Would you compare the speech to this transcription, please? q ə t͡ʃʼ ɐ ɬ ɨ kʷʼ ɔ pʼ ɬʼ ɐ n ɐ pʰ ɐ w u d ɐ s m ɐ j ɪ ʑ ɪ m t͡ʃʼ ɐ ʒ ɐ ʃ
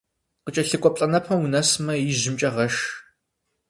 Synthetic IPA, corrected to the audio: q ə t͡ʃʼ ɐ ɬ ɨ kʷʼ ɔ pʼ ɬʼ ɐ n ɐ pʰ ɐ w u n ɐ s m ɐ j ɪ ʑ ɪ m t͡ʃʼ ɐ ʁ ɐ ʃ